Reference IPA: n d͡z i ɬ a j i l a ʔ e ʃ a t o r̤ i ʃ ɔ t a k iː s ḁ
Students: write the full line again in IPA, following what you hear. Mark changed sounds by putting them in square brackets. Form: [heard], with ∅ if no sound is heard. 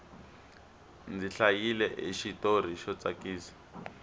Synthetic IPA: n d͡z i ɬ a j i l [ɛ] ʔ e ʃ [i] t o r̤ i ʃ ɔ [t͡s] a k iː s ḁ

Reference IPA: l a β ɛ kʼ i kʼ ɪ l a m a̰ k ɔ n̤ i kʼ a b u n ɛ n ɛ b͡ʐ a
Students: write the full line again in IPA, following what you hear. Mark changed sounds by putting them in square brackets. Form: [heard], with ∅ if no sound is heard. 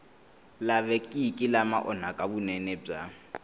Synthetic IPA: l a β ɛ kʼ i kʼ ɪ l a m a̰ [ʔ] ɔ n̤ [a] kʼ a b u n ɛ n ɛ b͡ʐ a

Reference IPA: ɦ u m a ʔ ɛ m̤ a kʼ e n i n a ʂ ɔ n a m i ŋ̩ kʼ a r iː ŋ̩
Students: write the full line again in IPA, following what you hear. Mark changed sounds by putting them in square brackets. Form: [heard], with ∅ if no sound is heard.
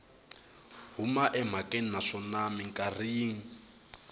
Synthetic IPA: ɦ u m a ʔ ɛ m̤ a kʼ e n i n a ʂ ɔ n a m i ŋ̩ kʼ a r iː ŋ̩

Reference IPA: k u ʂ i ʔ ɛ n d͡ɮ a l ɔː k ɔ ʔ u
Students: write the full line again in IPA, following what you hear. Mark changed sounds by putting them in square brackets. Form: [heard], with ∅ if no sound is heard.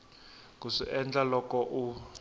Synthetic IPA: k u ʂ i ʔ ɛ n d͡ɮ a l [ɔ] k ɔ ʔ u

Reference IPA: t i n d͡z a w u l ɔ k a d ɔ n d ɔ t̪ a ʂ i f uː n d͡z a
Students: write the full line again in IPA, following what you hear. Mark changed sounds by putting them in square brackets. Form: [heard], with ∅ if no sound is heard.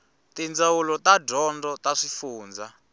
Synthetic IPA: t i n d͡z a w u l ɔ [t] a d ɔ n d ɔ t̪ a ʂ i f uː n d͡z a

